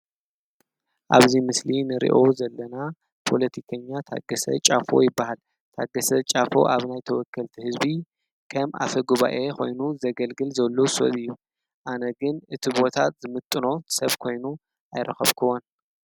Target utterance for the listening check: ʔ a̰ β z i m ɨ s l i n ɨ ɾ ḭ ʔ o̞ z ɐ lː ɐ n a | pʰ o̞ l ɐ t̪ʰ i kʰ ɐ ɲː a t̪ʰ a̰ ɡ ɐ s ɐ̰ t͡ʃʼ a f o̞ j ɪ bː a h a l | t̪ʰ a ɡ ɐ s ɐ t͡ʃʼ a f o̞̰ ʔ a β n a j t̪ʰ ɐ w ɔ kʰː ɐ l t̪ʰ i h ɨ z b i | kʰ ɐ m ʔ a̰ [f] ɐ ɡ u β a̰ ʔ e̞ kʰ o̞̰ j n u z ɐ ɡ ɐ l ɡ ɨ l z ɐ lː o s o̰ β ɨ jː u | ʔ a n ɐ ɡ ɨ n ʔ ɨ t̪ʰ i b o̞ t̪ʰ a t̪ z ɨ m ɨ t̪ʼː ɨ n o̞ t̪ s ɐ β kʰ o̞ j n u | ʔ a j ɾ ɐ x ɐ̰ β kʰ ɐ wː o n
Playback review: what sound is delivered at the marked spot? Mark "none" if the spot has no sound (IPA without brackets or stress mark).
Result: f